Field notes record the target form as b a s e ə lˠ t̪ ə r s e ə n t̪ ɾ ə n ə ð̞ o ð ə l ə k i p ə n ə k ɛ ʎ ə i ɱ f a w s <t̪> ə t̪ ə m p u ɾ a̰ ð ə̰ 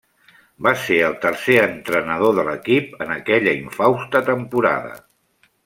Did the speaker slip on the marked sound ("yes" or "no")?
no